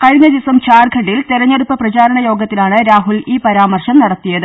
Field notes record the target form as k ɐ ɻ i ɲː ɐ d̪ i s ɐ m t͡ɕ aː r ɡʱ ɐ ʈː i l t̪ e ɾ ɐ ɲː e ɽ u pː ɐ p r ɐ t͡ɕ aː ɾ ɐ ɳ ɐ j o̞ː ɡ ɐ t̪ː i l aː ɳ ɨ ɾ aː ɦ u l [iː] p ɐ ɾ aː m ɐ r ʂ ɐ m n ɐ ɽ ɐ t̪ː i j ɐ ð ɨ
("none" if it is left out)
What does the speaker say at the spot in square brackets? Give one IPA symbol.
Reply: iː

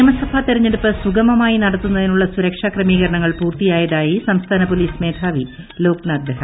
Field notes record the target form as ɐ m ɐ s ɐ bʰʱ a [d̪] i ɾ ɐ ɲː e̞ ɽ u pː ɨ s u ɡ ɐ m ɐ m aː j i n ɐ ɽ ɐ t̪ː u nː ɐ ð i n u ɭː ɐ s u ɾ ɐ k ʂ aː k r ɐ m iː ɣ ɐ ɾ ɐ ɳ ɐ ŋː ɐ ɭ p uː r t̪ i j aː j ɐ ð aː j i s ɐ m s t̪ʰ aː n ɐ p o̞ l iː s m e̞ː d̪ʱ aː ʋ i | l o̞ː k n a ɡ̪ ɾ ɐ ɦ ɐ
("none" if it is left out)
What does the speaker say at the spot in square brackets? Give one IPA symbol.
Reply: t̪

